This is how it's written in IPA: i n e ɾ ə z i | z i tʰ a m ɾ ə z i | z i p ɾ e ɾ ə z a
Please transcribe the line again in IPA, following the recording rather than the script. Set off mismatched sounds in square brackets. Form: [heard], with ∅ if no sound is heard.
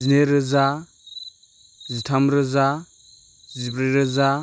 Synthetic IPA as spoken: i n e ɾ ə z [a] | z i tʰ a m ɾ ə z [a] | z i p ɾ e ɾ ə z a